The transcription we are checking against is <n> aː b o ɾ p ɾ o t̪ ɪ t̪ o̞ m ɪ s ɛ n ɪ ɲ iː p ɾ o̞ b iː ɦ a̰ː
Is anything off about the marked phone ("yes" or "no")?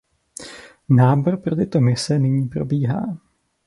no